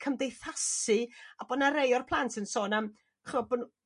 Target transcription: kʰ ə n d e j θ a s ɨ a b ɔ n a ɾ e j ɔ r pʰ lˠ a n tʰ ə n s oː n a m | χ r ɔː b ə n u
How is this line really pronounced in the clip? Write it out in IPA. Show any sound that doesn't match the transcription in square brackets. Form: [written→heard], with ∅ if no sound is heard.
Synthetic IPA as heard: kʰ ə [n→m] d e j θ a s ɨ a b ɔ n a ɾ e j ɔ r pʰ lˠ a n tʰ ə n s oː n a m | χ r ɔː b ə n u